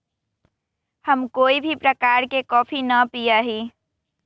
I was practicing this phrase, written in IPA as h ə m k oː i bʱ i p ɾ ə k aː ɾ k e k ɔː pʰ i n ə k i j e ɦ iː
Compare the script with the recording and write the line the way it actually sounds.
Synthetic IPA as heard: h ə m k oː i bʱ i p ɾ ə k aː ɾ k e k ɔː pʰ i n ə p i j a ɦ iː